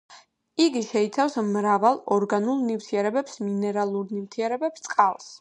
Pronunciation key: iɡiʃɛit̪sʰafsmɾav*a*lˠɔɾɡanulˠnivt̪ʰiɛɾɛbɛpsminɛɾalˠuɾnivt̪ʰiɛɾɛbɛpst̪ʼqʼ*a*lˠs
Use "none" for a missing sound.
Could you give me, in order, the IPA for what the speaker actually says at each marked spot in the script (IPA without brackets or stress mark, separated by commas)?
a, a